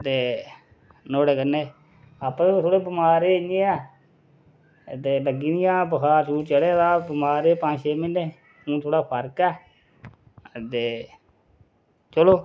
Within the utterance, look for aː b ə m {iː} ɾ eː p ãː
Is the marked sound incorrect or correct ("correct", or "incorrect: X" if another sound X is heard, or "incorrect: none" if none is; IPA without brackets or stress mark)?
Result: incorrect: aː